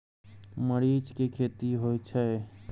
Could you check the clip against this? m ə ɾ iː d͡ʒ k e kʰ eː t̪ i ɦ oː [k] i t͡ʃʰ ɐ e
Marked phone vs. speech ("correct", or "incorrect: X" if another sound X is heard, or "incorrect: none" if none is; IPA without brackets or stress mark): incorrect: none